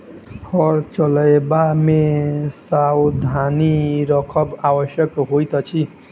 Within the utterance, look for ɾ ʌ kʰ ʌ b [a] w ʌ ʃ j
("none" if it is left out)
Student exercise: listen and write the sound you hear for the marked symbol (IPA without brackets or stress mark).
a